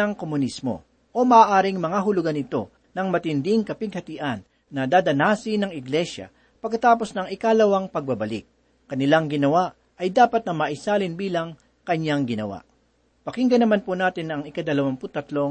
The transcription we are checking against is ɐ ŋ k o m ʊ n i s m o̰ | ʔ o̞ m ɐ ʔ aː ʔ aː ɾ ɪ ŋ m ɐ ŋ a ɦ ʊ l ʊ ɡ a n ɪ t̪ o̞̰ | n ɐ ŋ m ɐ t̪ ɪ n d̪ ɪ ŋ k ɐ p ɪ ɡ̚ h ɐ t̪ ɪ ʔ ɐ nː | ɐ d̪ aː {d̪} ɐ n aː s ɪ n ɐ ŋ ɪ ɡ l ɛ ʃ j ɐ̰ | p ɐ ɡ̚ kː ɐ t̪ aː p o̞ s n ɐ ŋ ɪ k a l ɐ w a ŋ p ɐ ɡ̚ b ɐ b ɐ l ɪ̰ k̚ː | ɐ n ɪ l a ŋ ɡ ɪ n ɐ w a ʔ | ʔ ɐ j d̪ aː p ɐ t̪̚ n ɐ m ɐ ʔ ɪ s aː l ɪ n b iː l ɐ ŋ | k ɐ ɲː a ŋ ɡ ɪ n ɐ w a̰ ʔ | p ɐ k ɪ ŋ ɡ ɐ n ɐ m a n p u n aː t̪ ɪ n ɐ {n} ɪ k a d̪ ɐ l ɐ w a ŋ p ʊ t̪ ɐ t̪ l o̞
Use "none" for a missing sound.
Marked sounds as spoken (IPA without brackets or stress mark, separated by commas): d̪, ŋ